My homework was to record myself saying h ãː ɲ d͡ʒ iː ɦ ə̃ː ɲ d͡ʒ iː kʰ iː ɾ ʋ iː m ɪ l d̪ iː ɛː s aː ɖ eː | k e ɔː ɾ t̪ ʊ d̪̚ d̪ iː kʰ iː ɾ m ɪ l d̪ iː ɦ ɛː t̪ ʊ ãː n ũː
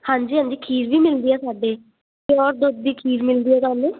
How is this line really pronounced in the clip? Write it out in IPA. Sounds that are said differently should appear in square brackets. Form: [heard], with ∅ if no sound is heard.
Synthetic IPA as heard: h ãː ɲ d͡ʒ iː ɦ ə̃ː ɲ d͡ʒ iː kʰ iː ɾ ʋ iː m ɪ l d̪ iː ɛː s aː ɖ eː | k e ɔː ɾ [d̪] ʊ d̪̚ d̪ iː kʰ iː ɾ m ɪ l d̪ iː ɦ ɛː t̪ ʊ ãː n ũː